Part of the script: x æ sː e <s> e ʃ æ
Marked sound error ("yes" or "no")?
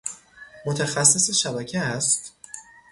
no